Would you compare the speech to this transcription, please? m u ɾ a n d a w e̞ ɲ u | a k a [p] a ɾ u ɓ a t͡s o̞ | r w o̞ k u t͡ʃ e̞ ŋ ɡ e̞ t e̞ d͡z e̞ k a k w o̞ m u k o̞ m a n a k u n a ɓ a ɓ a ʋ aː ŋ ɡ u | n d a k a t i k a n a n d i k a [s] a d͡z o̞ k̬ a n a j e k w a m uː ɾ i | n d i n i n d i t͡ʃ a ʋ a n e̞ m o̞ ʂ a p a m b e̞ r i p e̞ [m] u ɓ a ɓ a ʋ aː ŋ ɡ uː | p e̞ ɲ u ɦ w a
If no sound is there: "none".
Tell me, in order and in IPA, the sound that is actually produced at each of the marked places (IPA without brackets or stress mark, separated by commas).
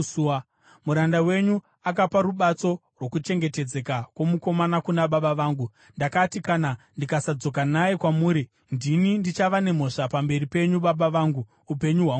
p, s, ɲ